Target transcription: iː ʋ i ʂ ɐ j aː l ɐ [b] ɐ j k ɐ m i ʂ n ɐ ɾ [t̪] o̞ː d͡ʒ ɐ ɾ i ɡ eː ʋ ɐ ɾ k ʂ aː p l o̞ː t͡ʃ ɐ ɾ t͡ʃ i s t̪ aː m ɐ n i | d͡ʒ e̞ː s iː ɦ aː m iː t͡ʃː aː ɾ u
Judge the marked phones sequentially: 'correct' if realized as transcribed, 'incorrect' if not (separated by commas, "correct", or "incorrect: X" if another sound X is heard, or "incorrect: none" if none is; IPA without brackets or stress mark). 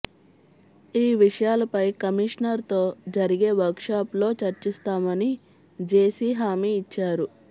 incorrect: p, correct